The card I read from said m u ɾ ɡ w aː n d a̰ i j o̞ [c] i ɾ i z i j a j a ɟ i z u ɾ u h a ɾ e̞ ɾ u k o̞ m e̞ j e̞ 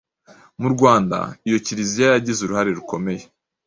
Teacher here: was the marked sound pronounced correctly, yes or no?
yes